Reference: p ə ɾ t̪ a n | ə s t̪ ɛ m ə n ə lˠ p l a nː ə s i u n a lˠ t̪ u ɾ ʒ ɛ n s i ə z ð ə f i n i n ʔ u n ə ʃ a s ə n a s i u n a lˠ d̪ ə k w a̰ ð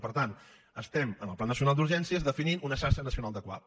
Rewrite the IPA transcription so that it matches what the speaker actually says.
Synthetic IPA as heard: p ə ɾ t̪ a n | ə s t̪ ɛ m ə n ə lˠ p l a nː ə s i u n a lˠ d̪ u ɾ ʒ ɛ n s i ə z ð ə f i n i n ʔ u n ə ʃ a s ə n ə s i u n a lˠ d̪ ə k w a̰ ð